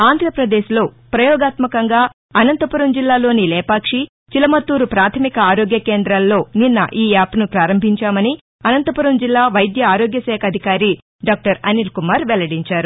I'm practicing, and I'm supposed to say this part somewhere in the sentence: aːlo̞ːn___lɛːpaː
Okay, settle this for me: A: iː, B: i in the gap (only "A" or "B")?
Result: B